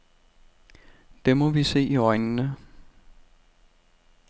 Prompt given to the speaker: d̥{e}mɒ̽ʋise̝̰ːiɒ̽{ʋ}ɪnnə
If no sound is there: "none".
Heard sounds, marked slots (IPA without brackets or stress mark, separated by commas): e, none